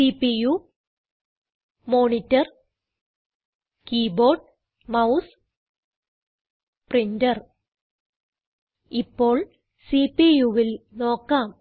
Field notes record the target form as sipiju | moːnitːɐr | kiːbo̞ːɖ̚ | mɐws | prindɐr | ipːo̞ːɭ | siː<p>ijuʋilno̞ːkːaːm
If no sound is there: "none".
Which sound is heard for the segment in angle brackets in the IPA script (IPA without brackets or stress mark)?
p